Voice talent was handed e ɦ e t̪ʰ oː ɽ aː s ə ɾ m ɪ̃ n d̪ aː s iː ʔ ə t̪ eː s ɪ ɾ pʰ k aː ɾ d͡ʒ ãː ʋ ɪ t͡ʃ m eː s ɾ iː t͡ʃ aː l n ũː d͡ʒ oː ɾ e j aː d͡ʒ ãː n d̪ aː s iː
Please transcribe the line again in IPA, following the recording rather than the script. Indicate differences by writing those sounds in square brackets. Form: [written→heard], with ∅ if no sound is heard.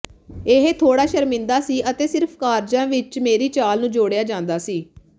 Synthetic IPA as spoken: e ɦ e t̪ʰ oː ɽ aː [s→ʃ] ə ɾ m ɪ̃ n d̪ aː s iː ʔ ə t̪ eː s ɪ ɾ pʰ k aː ɾ d͡ʒ ãː ʋ ɪ t͡ʃ m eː [s→∅] ɾ iː t͡ʃ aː l n ũː d͡ʒ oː [ɾ→ɽ] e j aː d͡ʒ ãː n d̪ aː s iː